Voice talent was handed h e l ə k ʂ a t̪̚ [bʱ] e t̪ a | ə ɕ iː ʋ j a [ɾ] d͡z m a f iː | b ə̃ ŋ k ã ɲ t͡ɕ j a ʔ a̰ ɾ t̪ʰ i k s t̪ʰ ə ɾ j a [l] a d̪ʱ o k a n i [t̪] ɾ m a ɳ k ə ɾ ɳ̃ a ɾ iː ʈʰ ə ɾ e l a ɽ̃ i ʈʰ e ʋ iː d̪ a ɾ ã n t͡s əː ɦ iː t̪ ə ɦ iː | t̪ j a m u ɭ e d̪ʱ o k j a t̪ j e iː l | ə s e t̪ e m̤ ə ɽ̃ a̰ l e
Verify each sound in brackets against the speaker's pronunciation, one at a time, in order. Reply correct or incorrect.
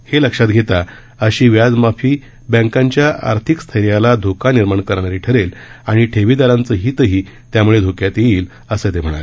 incorrect, incorrect, correct, incorrect

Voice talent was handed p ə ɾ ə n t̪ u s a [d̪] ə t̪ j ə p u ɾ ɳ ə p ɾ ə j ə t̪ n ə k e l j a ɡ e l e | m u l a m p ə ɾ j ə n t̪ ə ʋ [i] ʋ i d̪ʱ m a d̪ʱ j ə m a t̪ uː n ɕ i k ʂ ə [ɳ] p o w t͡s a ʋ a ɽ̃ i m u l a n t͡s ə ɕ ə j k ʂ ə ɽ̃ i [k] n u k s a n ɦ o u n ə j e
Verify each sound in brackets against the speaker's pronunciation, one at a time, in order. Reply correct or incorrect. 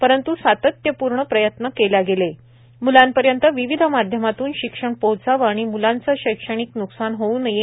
incorrect, correct, correct, correct

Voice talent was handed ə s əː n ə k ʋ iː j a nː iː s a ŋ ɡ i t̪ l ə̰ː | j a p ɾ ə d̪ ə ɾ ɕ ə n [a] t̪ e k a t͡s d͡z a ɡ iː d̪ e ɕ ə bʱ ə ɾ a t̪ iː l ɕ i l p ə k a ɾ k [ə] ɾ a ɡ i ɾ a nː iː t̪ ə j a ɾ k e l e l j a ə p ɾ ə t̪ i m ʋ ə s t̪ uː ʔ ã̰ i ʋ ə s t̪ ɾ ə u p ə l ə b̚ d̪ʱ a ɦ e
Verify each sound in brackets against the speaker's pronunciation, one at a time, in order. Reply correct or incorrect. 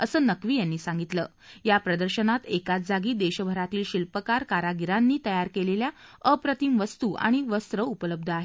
correct, incorrect

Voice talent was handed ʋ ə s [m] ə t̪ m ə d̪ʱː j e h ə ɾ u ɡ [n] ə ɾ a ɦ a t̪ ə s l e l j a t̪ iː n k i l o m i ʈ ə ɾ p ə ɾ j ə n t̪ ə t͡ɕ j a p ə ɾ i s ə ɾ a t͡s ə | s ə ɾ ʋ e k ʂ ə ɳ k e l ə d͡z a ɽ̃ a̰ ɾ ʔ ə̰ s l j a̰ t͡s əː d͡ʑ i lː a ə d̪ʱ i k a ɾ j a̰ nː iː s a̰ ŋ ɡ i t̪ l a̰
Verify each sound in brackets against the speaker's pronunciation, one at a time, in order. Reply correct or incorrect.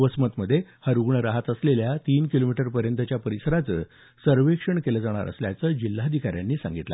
correct, incorrect

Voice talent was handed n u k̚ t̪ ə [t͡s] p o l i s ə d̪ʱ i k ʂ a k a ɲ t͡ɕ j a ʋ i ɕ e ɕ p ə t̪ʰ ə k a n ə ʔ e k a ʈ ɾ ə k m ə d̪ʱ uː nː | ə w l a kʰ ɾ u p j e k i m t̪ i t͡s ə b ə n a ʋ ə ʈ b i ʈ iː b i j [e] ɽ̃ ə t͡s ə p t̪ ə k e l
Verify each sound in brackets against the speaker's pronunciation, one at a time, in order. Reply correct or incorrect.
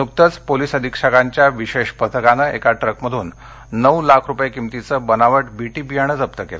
correct, incorrect

